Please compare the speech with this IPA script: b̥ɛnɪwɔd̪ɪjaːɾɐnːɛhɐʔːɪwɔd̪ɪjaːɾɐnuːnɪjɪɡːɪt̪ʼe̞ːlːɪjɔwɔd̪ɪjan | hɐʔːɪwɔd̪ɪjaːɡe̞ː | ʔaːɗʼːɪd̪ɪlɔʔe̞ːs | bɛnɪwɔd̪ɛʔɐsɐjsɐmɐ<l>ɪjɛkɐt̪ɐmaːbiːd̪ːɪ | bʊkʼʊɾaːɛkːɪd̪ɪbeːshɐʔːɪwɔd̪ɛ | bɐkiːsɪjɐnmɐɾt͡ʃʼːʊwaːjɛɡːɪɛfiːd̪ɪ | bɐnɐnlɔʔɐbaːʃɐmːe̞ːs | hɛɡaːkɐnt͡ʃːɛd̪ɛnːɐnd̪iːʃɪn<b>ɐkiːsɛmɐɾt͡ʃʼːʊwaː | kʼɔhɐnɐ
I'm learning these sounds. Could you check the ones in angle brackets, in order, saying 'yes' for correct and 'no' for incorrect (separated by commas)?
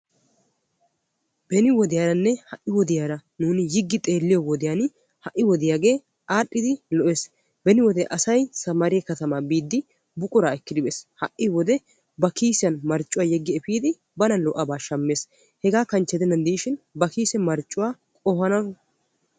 no, yes